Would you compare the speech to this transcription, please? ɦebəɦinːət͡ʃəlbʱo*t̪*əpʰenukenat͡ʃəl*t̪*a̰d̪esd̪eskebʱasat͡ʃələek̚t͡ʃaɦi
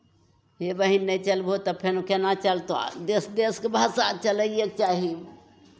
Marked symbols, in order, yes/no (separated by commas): yes, yes